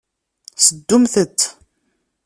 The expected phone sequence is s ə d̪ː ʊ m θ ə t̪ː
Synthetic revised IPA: s ə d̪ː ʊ m θ ə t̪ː